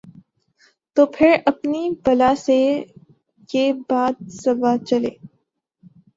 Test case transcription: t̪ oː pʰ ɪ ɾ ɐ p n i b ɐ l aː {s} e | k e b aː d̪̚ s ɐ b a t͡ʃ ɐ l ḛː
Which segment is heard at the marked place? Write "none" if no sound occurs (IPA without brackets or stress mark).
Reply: s